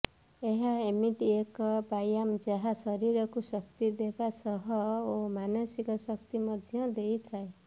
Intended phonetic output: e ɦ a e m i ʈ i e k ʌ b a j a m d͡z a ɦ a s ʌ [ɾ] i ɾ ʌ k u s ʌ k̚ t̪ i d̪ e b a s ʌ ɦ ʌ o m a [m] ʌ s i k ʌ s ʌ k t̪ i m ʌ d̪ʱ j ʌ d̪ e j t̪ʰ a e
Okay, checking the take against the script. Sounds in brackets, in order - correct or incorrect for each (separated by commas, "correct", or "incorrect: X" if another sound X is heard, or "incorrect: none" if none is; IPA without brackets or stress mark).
correct, incorrect: n